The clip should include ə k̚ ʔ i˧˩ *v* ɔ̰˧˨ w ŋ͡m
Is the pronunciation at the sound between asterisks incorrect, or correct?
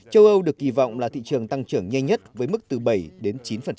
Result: correct